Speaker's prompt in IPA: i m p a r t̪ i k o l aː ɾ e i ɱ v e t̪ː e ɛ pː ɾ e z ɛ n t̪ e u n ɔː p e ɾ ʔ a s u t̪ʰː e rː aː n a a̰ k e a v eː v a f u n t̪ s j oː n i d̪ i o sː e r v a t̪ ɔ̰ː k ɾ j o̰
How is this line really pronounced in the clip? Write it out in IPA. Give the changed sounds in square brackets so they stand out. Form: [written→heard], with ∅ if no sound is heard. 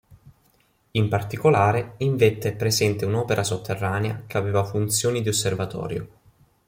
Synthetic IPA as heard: i m p a r t̪ i k o l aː ɾ e i ɱ v e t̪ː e ɛ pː ɾ e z ɛ n t̪ e u n ɔː p e ɾ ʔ a s [u→o] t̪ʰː e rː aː n [a→e] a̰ k e a v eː v a f u n t̪ s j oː n i d̪ i o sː e r v a t̪ ɔ̰ː [k→∅] ɾ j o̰